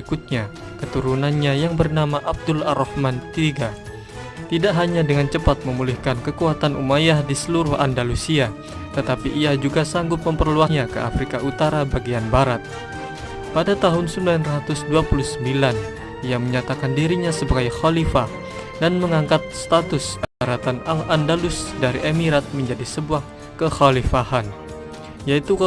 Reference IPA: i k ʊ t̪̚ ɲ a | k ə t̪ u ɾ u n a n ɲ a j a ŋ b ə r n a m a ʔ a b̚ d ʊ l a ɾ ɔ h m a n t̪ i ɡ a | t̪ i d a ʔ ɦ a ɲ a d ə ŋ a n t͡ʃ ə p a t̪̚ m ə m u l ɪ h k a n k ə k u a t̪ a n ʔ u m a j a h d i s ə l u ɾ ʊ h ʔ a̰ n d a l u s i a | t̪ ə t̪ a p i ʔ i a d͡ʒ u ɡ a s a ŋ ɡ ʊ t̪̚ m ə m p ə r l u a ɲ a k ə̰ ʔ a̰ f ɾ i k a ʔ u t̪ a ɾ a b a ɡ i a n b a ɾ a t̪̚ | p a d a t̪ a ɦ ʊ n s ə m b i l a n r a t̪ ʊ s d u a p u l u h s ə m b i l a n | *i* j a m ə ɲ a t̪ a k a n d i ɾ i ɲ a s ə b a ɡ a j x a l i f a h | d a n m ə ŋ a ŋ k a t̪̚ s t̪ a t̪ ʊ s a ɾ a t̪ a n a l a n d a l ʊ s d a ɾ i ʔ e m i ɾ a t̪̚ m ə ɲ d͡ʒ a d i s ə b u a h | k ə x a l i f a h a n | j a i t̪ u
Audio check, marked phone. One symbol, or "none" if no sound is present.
i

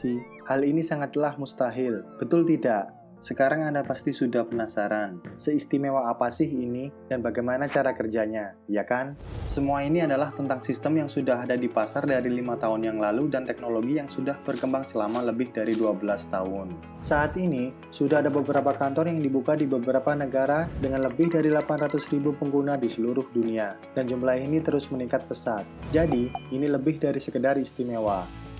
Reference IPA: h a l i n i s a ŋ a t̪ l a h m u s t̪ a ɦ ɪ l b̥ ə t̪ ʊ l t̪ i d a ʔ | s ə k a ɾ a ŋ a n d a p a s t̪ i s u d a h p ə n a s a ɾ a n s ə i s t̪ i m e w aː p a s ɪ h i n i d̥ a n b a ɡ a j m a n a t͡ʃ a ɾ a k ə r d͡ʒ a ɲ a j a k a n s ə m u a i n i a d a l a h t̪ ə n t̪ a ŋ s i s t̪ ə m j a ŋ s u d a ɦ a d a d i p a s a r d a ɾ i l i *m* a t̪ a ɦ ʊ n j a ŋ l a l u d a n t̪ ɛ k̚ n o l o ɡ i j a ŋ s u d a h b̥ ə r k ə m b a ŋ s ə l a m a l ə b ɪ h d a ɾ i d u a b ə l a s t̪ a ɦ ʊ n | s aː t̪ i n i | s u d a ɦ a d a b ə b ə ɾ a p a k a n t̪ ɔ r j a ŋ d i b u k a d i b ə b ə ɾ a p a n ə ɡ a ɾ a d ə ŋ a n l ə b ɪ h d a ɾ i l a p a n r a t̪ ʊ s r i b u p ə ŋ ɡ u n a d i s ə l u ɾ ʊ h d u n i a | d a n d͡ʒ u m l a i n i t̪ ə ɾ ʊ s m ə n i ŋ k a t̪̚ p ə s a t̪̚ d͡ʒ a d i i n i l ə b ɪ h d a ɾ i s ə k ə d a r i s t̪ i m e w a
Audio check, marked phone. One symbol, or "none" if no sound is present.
m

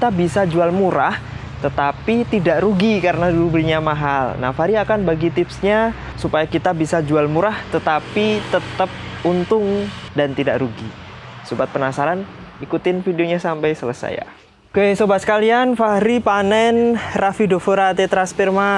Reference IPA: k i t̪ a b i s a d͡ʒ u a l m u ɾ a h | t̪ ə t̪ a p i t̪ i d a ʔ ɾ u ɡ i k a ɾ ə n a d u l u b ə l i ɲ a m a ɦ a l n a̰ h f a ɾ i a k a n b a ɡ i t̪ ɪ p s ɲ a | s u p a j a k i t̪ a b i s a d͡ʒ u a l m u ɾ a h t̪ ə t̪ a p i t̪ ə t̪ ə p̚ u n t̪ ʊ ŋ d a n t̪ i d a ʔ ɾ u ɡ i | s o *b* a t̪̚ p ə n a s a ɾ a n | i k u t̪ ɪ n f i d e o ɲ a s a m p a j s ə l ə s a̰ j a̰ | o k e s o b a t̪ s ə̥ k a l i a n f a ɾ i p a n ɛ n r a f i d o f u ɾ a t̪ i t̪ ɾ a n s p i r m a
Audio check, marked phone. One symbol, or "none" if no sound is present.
b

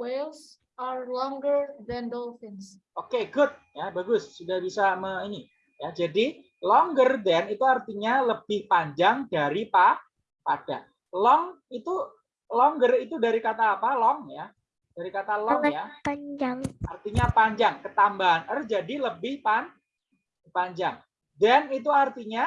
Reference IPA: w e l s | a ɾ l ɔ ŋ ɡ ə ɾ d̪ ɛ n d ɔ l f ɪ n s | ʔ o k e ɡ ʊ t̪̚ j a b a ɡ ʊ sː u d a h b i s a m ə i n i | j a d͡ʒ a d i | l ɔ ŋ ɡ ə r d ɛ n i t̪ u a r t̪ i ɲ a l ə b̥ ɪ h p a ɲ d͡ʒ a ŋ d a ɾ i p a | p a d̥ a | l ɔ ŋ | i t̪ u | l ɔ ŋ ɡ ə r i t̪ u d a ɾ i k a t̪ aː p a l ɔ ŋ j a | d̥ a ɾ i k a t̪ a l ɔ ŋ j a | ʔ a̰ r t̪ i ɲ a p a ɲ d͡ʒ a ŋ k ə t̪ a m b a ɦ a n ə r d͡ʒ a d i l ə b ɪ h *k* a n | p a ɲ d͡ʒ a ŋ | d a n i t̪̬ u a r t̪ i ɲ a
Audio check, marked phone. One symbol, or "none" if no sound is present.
p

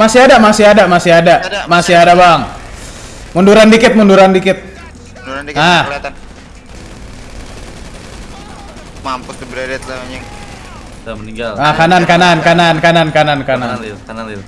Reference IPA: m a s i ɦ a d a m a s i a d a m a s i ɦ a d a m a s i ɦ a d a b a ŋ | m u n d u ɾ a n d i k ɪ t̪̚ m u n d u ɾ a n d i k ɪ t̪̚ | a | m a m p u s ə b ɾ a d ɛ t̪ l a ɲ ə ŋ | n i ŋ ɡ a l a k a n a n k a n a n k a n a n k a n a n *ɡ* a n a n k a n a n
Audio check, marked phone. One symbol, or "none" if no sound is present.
k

